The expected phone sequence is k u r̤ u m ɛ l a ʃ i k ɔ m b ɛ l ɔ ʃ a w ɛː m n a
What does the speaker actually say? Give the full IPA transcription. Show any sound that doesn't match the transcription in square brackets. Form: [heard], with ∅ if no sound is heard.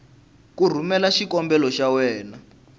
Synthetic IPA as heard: k u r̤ u m ɛ l a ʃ i k ɔ m b ɛ l ɔ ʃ a w ɛː [∅] n a